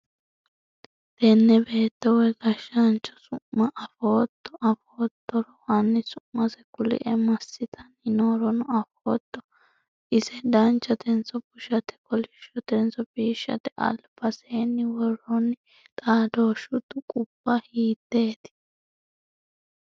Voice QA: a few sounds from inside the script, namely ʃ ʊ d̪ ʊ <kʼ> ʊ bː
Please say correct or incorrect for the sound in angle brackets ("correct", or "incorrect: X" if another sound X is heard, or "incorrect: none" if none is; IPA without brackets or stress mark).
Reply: correct